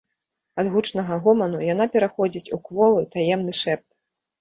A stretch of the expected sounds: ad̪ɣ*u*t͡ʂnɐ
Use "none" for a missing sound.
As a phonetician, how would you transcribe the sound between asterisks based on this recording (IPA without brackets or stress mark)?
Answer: u